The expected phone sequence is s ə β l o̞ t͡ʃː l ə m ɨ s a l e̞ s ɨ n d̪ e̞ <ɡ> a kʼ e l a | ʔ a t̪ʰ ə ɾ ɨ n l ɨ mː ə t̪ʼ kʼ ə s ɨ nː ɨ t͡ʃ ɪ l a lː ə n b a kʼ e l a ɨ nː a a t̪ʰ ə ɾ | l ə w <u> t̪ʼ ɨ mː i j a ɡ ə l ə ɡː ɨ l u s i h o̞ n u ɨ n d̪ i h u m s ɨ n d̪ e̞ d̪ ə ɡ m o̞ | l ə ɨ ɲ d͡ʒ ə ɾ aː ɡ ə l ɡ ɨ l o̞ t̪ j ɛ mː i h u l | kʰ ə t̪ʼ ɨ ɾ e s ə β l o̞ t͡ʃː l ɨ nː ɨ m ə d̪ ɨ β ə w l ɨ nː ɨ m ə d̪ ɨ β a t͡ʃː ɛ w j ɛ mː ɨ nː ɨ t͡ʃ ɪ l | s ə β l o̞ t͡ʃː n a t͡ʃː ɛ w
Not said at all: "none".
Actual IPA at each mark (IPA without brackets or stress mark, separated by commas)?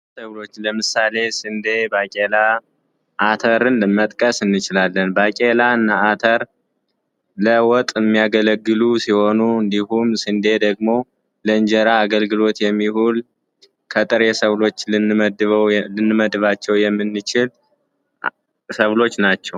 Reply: b, ɔ